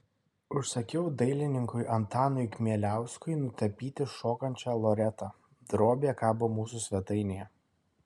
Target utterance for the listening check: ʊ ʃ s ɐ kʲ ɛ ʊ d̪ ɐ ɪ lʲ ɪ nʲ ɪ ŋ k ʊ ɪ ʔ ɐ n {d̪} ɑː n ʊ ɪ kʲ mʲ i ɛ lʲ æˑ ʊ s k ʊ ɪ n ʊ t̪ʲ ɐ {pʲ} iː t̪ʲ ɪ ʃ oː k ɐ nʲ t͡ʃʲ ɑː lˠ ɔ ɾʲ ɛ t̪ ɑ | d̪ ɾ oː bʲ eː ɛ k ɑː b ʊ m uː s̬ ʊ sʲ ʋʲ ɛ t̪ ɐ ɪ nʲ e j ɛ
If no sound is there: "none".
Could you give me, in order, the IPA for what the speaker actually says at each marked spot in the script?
t̪, pʲ

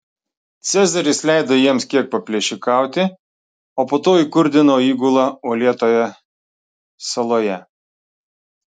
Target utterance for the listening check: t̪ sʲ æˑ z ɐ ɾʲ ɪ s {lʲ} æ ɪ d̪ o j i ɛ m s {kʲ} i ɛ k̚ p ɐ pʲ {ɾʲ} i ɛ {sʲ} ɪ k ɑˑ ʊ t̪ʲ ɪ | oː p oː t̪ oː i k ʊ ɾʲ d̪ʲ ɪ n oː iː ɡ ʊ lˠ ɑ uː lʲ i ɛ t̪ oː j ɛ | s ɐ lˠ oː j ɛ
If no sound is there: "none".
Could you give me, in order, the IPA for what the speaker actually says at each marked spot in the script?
lʲ, kʲ, lʲ, ʃʲ

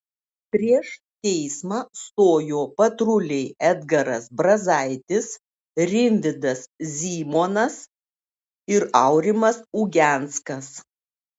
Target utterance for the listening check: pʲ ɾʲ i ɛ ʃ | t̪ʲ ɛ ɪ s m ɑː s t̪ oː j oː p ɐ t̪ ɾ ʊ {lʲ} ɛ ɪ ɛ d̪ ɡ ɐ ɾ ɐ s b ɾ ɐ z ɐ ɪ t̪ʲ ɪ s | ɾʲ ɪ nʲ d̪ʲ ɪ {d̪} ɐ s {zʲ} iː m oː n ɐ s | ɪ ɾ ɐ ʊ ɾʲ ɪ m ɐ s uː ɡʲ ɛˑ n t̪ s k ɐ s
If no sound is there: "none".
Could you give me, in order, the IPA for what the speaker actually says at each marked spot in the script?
lʲ, d̪, zʲ

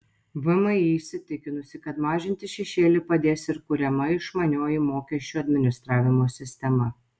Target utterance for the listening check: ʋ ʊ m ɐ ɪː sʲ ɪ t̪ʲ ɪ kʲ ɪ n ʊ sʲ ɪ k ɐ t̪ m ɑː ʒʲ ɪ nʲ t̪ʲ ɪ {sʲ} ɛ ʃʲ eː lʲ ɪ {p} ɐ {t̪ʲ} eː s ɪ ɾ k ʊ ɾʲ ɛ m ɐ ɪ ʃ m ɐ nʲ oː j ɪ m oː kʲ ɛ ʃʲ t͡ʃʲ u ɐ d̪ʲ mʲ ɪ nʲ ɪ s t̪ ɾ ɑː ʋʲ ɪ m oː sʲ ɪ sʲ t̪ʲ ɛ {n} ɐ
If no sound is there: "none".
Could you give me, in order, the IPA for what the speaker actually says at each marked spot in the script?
ʃʲ, p, d̪ʲ, m

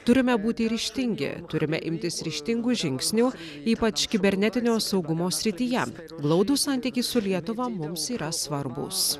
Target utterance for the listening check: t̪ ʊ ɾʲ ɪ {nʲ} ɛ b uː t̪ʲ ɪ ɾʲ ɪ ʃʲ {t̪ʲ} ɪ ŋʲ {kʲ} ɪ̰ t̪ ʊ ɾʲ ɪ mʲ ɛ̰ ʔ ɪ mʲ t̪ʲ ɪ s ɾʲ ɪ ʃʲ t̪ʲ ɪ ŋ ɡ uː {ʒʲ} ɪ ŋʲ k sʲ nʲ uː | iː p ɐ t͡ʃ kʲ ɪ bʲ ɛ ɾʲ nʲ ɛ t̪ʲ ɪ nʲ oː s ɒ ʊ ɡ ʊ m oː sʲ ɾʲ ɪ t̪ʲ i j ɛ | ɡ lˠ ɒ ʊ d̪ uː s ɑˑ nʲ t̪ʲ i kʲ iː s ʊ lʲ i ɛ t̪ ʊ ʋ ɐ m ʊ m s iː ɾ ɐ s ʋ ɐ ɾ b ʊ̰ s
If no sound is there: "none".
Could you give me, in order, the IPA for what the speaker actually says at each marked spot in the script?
mʲ, t̪ʲ, ɡʲ, ʒʲ

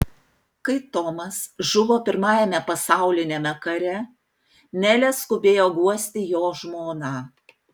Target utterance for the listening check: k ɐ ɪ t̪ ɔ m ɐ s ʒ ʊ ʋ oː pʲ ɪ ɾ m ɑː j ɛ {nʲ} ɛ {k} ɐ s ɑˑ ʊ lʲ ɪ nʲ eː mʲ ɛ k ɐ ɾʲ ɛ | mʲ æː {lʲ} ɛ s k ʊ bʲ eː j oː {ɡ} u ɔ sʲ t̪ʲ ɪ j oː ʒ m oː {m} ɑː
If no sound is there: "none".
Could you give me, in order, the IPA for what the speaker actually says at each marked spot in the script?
mʲ, p, lʲ, ɡ, n

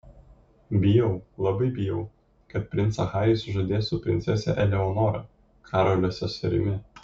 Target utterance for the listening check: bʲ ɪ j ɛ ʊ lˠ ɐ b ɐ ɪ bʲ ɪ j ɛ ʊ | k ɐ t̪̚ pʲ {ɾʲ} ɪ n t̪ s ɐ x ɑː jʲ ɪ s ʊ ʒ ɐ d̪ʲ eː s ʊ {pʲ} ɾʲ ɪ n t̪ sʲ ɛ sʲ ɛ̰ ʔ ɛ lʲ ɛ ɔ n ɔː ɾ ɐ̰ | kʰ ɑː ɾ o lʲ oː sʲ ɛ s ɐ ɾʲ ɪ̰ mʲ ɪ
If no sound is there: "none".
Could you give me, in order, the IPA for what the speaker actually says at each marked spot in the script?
ɾʲ, pʲ

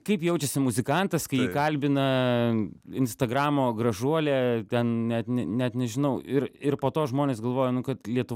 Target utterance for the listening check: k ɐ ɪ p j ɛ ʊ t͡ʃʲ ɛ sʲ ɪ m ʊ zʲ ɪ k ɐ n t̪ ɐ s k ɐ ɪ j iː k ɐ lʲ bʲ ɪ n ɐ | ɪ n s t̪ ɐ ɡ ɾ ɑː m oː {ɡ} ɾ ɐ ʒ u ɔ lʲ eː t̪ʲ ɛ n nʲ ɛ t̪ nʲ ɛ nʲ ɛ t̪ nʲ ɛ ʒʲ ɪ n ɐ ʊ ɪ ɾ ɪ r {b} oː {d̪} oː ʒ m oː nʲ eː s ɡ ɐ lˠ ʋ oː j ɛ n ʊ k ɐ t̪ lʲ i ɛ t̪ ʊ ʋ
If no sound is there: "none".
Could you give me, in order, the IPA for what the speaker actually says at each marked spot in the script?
ɡ, p, t̪

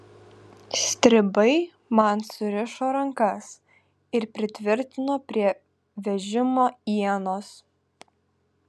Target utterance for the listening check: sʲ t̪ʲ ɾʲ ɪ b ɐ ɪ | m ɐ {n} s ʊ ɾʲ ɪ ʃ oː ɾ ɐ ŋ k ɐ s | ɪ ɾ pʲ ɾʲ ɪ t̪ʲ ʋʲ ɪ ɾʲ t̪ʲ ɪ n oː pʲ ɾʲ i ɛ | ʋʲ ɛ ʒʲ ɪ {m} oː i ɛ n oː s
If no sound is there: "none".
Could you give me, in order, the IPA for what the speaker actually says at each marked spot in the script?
n, m

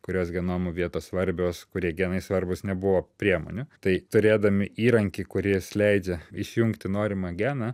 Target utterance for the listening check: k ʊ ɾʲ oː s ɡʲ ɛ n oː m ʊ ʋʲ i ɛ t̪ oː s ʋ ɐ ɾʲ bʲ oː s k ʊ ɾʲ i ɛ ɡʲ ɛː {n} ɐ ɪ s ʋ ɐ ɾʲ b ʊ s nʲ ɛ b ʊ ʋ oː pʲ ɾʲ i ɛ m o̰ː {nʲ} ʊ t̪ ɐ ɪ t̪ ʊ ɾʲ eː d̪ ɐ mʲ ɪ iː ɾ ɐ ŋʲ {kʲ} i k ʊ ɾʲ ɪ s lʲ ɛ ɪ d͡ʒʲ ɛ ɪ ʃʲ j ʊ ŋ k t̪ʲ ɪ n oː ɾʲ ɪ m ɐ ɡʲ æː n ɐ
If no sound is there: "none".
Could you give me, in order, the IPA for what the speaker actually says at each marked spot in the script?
n, nʲ, kʲ

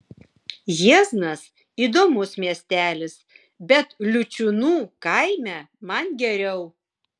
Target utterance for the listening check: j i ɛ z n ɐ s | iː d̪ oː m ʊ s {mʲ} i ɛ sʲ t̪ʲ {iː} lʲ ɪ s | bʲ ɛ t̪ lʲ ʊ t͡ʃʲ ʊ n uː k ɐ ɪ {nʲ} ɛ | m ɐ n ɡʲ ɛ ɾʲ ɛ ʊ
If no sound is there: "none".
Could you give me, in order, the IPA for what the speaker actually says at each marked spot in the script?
mʲ, æː, mʲ

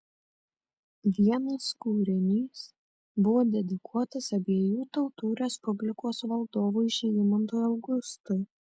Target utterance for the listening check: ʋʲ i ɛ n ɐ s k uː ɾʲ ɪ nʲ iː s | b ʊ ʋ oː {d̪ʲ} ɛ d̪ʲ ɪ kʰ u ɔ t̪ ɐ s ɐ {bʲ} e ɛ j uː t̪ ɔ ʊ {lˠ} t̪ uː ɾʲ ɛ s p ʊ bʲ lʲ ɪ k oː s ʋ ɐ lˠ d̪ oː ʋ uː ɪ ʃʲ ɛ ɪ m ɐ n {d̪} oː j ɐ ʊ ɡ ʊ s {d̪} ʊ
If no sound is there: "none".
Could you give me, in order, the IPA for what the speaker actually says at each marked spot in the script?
d̪ʲ, bʲ, none, t̪, t̪

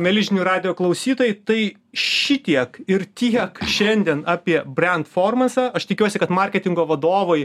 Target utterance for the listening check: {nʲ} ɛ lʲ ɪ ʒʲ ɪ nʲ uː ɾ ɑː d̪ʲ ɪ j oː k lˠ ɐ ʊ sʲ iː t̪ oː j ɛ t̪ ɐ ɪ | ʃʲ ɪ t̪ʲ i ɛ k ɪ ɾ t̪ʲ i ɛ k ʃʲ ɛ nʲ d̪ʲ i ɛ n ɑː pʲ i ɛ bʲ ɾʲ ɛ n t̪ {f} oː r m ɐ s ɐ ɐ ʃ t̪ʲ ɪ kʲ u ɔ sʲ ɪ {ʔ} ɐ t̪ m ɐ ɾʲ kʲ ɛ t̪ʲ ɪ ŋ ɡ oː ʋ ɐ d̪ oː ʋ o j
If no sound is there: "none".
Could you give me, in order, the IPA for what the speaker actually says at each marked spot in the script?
mʲ, f, k

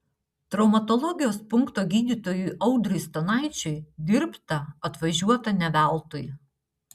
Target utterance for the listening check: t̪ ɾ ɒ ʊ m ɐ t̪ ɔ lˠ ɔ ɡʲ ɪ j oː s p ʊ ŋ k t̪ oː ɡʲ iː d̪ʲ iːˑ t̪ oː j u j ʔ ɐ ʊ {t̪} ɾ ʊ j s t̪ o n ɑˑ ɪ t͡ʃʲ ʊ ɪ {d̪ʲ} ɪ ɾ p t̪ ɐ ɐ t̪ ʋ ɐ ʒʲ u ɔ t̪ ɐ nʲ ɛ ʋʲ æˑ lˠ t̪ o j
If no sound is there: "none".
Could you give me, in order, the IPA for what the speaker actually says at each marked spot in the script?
d̪, d̪ʲ

